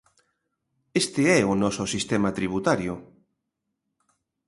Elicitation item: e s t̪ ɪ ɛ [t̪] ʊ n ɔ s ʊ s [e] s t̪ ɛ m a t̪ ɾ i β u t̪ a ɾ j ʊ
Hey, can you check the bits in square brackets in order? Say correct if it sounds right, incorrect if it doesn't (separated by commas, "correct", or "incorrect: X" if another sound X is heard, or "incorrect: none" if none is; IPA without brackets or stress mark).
incorrect: none, incorrect: i